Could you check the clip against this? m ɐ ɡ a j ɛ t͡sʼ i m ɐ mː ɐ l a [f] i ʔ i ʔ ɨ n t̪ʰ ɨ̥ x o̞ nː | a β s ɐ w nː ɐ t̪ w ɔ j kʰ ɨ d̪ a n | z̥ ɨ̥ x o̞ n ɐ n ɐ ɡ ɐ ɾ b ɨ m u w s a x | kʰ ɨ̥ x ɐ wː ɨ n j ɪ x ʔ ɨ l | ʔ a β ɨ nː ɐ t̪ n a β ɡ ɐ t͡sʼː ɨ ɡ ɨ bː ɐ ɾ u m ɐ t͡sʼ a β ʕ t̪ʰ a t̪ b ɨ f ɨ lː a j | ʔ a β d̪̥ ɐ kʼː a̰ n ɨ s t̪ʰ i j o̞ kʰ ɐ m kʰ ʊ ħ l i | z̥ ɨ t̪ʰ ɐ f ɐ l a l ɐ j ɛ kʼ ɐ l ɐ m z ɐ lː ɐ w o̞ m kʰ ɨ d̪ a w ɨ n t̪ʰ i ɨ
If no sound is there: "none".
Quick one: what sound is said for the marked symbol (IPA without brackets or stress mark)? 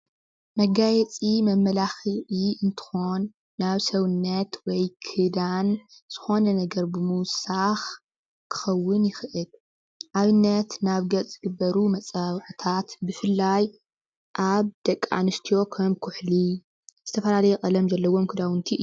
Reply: x